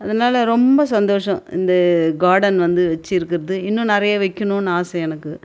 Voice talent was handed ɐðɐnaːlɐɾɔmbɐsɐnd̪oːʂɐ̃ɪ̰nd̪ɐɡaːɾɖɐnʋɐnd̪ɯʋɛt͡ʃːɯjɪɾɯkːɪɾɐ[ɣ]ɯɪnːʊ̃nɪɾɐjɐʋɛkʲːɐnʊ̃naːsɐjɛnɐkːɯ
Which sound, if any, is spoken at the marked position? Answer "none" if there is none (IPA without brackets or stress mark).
ð